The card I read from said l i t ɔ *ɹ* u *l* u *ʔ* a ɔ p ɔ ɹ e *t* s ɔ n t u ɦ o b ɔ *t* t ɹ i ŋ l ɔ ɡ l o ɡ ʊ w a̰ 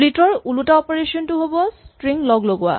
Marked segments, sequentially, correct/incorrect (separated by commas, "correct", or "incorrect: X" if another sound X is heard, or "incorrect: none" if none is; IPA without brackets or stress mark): correct, correct, incorrect: t, incorrect: none, incorrect: s